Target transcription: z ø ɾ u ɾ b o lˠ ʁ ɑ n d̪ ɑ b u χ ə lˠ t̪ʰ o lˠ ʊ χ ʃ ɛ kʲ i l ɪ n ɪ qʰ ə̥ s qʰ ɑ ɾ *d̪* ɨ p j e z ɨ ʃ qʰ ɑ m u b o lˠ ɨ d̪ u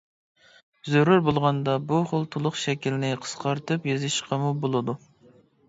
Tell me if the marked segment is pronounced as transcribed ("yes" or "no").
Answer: no